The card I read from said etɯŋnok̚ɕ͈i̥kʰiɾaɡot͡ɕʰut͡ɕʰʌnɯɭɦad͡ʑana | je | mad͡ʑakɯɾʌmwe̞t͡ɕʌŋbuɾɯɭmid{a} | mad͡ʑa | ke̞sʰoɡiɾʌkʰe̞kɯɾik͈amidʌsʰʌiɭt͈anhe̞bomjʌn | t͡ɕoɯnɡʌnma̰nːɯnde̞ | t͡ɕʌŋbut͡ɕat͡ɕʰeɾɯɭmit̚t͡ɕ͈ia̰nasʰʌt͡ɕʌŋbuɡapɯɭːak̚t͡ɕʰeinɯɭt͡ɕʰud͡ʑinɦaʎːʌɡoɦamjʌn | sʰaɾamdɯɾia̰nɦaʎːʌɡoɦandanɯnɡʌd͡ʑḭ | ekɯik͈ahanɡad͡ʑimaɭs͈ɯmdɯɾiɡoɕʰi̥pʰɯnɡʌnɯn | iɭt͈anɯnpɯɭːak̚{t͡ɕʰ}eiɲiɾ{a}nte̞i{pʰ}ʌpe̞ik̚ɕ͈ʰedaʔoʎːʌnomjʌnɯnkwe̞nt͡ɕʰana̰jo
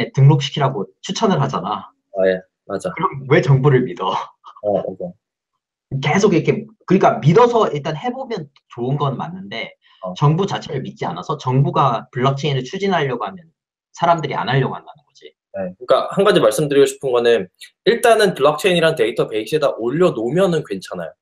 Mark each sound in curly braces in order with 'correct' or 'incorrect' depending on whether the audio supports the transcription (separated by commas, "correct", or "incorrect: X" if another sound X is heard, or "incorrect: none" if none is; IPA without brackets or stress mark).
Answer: incorrect: ʌ, correct, correct, incorrect: tʰ